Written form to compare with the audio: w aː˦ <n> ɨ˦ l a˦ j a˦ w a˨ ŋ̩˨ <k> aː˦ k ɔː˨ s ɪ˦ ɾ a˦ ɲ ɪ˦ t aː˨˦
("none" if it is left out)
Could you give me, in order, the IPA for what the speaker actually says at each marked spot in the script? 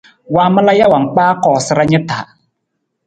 m, k͡p

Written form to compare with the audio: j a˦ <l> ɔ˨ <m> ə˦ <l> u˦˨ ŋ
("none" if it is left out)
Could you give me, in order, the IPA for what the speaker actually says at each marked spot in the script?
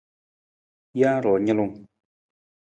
ɾ, ɲ, l

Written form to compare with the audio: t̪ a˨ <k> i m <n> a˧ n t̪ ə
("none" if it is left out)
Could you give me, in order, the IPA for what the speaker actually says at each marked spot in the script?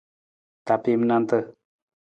p, n

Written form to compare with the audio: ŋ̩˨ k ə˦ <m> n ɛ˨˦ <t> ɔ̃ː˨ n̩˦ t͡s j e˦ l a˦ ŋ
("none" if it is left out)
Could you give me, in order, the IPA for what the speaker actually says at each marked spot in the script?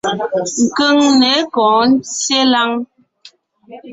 ŋ, k

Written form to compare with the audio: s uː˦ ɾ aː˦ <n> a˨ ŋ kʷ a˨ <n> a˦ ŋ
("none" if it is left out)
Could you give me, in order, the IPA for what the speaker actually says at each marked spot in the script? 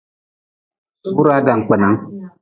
d, n

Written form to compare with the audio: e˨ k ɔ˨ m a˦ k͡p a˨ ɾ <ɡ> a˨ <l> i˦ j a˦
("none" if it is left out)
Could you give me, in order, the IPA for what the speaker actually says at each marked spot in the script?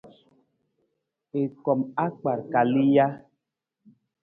k, l

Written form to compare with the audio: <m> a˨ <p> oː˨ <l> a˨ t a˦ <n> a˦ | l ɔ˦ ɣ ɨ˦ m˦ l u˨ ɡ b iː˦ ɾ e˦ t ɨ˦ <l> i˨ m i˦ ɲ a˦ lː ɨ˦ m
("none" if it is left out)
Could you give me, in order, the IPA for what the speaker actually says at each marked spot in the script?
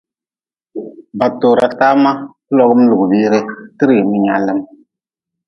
b, t, ɾ, m, ɾ

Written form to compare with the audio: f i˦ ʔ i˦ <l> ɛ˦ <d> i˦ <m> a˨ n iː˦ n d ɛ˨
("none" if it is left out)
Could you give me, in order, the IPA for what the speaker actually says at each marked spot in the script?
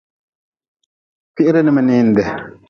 ɾ, n, m

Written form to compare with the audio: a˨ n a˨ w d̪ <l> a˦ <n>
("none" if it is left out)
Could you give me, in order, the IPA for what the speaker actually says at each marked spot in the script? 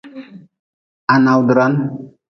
ɾ, n

